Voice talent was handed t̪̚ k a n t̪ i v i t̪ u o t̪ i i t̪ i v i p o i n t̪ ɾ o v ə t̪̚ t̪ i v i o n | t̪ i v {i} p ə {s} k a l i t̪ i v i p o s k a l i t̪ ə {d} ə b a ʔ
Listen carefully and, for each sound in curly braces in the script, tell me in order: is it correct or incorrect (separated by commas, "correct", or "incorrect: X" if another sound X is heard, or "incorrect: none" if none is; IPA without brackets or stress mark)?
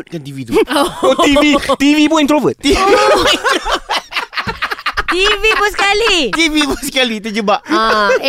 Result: correct, correct, incorrect: d͡ʒ